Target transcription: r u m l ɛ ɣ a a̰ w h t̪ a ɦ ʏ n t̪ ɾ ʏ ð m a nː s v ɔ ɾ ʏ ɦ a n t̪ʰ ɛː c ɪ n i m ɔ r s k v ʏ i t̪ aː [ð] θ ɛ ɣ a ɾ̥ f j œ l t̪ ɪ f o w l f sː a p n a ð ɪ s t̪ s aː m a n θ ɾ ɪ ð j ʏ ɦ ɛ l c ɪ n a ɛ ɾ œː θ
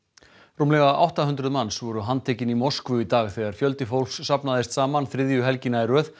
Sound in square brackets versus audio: incorrect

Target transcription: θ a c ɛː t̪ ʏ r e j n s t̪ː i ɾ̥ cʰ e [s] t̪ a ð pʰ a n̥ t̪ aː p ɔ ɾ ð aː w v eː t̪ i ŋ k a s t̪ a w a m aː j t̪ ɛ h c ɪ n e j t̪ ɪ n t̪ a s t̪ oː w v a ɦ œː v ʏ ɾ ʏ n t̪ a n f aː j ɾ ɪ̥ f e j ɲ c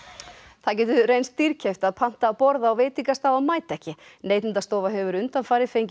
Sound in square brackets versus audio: incorrect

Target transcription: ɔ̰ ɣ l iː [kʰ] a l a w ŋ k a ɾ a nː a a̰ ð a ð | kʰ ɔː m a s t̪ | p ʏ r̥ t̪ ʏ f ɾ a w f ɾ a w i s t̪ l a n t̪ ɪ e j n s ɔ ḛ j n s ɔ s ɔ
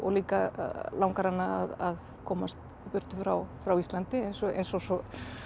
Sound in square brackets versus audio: incorrect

